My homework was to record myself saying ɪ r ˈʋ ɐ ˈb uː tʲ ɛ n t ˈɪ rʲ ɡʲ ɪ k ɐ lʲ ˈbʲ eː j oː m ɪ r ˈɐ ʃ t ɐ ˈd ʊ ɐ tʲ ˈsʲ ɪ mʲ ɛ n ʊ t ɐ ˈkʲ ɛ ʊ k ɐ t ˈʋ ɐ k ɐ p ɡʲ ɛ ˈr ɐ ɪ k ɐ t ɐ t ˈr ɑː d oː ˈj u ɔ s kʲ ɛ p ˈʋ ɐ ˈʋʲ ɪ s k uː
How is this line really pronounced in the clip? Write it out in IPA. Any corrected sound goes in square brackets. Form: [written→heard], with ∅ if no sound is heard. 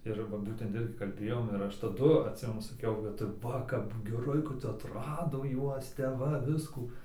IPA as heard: ɪ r ˈʋ ɐ ˈb uː tʲ ɛ n t ˈɪ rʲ ɡʲ ɪ k ɐ lʲ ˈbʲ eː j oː m ɪ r ˈɐ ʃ t ɐ ˈd ʊ ɐ tʲ ˈsʲ ɪ mʲ ɛ n ʊ [t→s] ɐ ˈkʲ ɛ ʊ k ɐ t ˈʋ ɐ k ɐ p ɡʲ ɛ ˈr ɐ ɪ k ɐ t ɐ t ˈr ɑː d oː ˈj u ɔ s [kʲ→tʲ] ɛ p ˈʋ ɐ ˈʋʲ ɪ s k uː